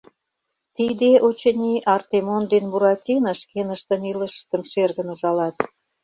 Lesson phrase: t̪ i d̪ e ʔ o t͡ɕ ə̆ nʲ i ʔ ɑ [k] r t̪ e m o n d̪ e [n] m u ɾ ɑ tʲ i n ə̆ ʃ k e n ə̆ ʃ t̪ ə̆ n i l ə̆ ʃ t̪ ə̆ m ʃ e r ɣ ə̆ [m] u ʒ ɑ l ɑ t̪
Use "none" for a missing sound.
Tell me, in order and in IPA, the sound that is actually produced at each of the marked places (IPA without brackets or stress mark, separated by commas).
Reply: none, n, n